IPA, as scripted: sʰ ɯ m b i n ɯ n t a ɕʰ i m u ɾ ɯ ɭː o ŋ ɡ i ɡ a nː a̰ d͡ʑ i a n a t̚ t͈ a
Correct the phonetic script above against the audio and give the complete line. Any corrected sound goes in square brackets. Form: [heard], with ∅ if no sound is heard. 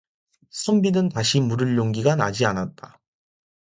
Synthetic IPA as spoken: sʰ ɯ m b i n ɯ n t a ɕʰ i m u ɾ ɯ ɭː o ŋ ɡ i ɡ a [n] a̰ d͡ʑ i a n a t̚ t͈ a